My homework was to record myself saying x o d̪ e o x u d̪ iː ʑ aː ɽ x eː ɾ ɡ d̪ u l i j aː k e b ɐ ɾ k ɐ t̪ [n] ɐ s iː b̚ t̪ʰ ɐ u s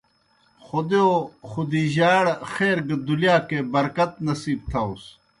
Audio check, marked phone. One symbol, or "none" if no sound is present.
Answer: n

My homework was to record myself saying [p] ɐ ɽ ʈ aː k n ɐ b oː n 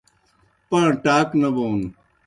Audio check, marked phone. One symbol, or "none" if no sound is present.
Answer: p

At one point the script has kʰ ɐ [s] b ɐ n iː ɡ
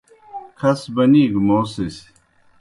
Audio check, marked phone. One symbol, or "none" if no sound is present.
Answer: s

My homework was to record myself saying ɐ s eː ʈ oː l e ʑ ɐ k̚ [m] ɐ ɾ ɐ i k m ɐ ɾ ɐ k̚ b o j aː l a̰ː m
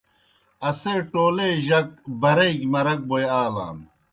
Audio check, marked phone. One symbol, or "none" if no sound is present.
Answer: b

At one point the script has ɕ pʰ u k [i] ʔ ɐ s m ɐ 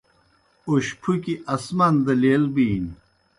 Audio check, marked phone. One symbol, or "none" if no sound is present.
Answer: i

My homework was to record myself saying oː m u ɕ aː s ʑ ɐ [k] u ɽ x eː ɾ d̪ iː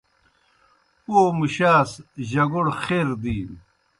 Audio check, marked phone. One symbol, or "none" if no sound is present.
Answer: ɡ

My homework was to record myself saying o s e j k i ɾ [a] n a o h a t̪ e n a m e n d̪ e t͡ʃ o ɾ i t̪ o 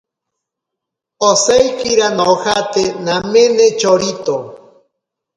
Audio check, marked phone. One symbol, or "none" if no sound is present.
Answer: a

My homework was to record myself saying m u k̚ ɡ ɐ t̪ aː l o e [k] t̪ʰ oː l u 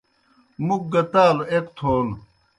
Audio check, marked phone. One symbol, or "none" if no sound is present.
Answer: k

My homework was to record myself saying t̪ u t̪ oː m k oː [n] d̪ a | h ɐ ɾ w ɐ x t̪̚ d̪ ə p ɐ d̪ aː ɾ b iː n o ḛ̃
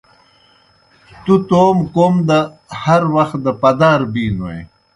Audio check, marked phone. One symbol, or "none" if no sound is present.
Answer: m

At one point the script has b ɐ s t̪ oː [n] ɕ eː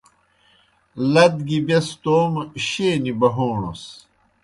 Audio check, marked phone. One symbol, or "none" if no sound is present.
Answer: m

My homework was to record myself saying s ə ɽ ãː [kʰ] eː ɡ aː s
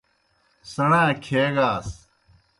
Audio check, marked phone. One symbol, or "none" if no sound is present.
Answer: kʰ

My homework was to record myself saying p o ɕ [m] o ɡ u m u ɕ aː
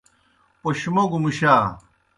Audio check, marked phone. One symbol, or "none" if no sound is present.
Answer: m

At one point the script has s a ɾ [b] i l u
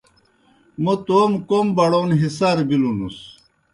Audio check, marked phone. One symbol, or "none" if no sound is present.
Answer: b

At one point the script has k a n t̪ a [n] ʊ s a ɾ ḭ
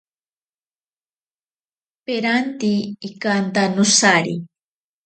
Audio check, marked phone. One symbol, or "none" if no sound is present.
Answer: n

